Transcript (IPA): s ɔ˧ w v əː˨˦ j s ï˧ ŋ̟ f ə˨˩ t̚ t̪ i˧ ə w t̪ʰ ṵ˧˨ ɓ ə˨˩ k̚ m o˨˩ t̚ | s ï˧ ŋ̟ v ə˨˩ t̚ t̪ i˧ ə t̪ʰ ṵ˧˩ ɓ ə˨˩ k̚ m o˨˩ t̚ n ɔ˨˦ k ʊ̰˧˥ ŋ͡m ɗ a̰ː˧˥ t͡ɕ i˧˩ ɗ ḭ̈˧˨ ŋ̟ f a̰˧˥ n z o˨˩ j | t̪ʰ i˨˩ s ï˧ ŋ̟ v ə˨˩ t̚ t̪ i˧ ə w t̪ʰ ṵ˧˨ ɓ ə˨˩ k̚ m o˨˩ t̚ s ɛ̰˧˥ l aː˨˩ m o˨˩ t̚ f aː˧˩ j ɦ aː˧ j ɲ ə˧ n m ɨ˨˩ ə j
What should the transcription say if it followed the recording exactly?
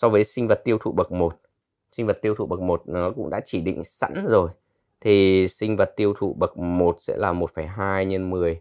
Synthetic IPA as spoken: s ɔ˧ w v əː˨˦ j s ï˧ ŋ̟ v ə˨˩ t̚ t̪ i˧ ə w t̪ʰ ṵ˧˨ ɓ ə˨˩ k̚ m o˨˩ t̚ | s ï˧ ŋ̟ v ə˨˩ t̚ t̪ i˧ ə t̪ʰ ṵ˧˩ ɓ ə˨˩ k̚ m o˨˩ t̚ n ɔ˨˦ k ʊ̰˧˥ ŋ͡m ɗ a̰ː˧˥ t͡ɕ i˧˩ ɗ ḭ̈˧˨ ŋ̟ s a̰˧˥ n z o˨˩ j | t̪ʰ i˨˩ s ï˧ ŋ̟ v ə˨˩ t̚ t̪ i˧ ə w t̪ʰ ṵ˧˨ ɓ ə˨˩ k̚ m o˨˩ t̚ s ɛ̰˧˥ l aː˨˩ m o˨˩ t̚ f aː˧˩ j ɦ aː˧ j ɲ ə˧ n m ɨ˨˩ ə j